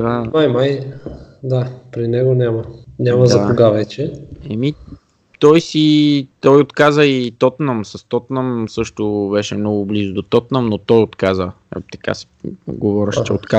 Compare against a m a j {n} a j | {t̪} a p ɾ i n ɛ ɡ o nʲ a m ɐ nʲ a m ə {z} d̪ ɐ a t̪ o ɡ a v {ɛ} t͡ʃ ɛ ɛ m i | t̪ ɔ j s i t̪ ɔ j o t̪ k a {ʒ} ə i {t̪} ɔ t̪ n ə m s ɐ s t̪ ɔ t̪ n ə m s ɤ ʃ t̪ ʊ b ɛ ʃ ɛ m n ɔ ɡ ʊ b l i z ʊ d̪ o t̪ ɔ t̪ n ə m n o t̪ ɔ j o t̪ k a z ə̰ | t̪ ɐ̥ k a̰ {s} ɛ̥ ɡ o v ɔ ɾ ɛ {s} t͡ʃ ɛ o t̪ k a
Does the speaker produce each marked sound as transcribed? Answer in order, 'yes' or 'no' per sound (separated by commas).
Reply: no, no, yes, yes, no, yes, yes, no